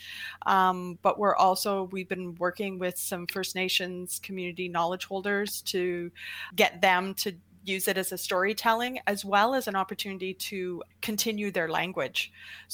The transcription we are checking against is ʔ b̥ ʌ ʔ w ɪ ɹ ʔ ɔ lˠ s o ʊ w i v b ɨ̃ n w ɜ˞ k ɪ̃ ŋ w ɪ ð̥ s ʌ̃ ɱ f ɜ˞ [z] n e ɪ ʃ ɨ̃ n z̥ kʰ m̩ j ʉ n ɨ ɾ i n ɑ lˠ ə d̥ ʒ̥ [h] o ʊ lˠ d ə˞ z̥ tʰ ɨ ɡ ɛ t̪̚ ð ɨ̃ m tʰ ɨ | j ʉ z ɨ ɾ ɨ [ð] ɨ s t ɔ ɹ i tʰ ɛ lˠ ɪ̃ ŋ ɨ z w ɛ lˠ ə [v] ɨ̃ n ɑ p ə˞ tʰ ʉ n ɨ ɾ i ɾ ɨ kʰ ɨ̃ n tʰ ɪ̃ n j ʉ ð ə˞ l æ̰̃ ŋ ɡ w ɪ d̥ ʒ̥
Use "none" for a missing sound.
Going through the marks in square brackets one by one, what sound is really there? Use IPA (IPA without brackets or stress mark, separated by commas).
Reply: s, h, z, z